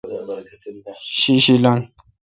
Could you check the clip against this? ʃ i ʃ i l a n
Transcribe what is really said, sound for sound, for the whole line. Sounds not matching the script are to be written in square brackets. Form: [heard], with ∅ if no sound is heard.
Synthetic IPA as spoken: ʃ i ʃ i l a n